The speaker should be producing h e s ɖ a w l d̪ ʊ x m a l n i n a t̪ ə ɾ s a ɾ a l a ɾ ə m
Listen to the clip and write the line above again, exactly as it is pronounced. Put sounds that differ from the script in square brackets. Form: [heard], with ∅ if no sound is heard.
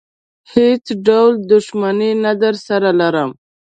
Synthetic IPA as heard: h e [t͡s] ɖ a w l d̪ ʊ [ʃ] m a [∅] n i n a [d̪] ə ɾ s a ɾ a l a ɾ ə m